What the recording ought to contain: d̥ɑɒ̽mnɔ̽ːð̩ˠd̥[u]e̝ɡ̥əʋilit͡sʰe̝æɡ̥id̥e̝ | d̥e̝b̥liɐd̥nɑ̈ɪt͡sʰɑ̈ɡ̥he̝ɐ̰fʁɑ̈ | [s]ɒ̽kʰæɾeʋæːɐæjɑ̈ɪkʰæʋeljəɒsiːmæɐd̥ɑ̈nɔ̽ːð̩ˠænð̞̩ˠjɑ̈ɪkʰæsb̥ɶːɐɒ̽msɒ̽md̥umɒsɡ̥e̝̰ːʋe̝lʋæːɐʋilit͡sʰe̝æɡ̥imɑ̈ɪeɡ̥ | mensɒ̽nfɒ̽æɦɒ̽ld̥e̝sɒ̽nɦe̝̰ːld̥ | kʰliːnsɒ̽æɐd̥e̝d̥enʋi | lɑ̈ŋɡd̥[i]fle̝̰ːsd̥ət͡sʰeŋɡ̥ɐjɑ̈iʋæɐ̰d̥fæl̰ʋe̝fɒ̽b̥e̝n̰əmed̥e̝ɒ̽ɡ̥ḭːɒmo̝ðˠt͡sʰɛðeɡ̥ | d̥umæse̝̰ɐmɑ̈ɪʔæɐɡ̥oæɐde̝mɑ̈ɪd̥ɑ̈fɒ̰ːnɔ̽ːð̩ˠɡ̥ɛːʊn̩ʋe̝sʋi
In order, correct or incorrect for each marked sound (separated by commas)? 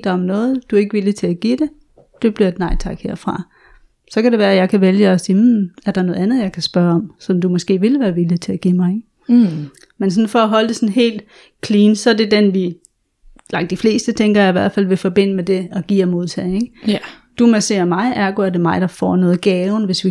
correct, correct, correct